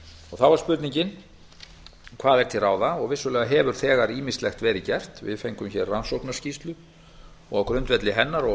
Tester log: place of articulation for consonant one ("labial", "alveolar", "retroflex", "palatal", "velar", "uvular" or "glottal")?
velar